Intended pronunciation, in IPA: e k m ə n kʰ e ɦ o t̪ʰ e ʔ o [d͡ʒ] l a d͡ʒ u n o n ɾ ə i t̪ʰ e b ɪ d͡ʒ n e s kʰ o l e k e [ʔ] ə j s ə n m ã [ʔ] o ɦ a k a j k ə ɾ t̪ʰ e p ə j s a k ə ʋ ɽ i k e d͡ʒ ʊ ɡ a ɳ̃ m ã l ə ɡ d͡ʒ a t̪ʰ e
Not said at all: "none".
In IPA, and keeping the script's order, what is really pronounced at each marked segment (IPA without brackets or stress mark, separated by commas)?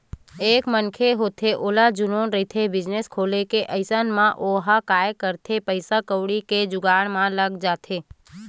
none, ʔ, ʔ